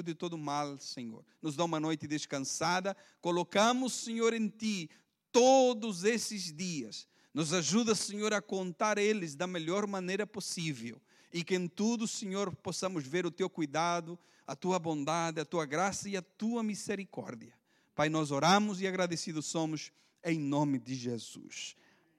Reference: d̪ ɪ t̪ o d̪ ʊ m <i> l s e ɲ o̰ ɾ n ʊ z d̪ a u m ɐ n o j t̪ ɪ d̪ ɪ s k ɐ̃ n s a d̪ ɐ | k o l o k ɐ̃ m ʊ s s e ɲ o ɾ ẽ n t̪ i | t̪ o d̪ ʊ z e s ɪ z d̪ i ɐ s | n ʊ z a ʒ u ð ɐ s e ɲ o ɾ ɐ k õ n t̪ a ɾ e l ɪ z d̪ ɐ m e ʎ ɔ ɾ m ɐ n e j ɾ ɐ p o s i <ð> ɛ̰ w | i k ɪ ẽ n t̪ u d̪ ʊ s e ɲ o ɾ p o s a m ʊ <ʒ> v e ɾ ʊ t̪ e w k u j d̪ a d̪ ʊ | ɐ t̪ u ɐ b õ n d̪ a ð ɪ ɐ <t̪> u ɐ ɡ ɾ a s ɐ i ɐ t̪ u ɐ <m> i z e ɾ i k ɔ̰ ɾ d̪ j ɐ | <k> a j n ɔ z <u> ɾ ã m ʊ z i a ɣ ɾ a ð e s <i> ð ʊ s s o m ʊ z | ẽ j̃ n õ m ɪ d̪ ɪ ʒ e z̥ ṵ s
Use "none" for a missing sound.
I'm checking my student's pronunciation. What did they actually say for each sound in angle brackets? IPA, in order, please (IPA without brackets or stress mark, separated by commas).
a, v, z, t̪, m, p, o, i